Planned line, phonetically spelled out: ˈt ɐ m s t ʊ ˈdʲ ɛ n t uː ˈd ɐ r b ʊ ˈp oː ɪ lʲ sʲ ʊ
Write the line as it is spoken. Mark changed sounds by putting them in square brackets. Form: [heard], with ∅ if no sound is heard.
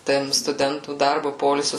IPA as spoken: ˈt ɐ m s t ʊ ˈdʲ ɛ n t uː ˈd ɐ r b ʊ ˈp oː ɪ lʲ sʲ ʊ